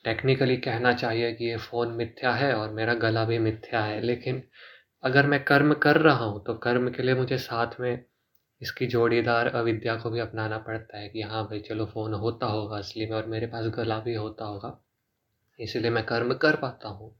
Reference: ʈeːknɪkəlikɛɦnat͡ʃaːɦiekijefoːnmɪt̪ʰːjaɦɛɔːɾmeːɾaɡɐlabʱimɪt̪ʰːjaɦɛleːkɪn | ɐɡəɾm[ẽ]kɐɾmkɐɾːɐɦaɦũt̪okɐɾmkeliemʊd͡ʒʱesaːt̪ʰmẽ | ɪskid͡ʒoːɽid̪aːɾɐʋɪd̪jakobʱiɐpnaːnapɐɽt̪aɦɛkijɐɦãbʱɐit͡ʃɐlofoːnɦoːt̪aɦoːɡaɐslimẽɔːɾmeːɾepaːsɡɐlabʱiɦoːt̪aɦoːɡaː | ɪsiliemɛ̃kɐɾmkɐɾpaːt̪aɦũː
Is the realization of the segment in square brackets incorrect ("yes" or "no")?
yes